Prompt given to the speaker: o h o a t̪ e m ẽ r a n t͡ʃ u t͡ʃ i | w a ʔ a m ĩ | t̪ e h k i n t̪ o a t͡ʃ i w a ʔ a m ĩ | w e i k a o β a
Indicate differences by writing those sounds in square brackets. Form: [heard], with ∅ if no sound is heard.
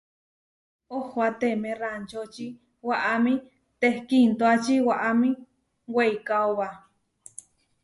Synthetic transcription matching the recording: o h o a t̪ e m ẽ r a n t͡ʃ [o] t͡ʃ i | w a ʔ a m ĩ | t̪ e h k i n t̪ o a t͡ʃ i w a ʔ a m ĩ | w e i k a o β a